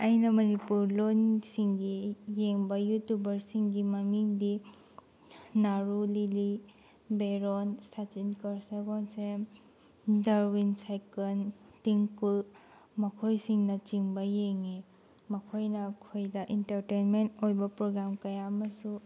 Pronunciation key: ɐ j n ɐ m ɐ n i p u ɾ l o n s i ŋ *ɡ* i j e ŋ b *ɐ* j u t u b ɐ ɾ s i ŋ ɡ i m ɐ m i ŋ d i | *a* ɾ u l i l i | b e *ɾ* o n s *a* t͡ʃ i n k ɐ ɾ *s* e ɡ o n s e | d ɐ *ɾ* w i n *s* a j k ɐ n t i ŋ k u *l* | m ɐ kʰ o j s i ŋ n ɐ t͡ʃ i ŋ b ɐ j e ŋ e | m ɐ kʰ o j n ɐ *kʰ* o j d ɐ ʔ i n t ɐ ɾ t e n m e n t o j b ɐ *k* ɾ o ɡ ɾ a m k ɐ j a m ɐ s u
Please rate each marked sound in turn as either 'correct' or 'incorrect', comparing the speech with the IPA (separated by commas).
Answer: correct, correct, correct, correct, correct, correct, correct, correct, correct, correct, incorrect